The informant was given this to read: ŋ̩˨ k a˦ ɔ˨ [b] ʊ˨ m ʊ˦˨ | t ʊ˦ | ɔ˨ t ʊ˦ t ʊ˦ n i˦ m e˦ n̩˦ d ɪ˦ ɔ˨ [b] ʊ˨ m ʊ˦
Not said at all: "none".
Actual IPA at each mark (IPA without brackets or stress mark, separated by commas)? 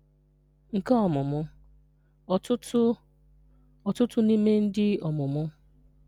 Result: m, m